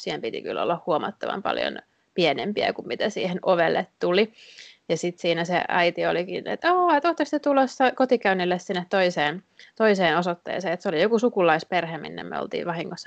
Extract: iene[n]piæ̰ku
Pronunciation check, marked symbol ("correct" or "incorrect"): incorrect